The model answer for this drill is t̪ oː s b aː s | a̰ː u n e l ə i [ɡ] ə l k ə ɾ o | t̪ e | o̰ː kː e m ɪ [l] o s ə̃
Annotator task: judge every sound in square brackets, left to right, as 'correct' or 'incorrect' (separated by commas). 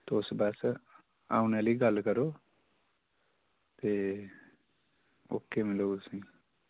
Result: correct, correct